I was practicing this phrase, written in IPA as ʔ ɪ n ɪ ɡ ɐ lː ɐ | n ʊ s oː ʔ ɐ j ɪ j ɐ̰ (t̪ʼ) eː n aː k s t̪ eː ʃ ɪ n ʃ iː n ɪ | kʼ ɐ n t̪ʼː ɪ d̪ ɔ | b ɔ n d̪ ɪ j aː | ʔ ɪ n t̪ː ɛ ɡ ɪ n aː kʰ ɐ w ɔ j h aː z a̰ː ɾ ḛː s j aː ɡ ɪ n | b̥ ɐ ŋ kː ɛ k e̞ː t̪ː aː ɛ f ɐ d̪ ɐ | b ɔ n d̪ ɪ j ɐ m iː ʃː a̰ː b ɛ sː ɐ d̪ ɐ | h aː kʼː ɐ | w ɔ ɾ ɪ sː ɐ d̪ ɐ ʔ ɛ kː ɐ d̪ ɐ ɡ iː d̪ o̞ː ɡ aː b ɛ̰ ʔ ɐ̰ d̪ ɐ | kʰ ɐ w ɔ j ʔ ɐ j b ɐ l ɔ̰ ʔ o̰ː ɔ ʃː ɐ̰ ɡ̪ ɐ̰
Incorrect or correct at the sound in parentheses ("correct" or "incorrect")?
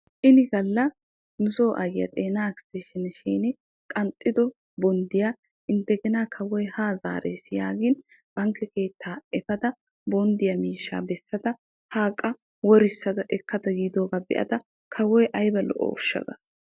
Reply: correct